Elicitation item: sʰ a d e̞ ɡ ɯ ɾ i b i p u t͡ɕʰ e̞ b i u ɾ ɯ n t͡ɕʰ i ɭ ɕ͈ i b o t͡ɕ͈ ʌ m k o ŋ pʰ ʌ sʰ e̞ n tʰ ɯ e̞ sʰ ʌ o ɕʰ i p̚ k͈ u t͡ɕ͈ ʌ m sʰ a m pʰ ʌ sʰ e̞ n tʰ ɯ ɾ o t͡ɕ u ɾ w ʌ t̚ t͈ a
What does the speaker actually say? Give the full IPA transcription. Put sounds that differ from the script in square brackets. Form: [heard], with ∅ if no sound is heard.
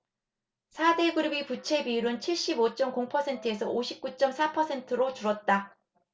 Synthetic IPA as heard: sʰ a d e̞ ɡ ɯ ɾ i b i p u t͡ɕʰ e̞ b i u ɾ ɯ n t͡ɕʰ i ɭ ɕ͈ i b o t͡ɕ͈ ʌ m k o ŋ pʰ ʌ sʰ e̞ n tʰ ɯ e̞ sʰ ʌ o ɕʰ i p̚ k͈ u t͡ɕ͈ ʌ m sʰ a [∅] pʰ ʌ sʰ e̞ n tʰ ɯ ɾ o t͡ɕ u ɾ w ʌ t̚ t͈ a